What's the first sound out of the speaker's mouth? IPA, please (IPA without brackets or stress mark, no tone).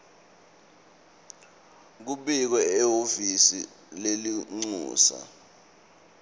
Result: k̬